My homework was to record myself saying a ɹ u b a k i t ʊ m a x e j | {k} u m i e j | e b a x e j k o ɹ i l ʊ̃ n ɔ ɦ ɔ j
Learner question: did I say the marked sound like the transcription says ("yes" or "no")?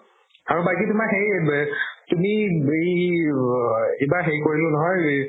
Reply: no